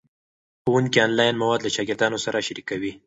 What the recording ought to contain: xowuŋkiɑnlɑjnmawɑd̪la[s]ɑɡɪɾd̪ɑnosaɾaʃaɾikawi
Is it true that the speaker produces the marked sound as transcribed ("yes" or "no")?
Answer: no